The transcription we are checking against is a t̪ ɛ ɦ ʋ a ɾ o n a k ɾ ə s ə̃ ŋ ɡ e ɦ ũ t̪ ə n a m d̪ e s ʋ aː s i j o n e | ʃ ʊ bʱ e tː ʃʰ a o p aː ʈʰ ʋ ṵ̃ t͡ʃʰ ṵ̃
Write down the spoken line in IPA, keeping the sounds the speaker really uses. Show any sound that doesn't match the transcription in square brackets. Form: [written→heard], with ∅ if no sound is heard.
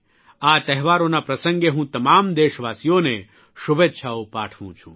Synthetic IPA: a t̪ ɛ ɦ ʋ a ɾ o n a [k→p] ɾ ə s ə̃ ŋ ɡ e ɦ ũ t̪ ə [n→m] a m d̪ e [s→ʃ] ʋ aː s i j o n e | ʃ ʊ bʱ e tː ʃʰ a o p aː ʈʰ ʋ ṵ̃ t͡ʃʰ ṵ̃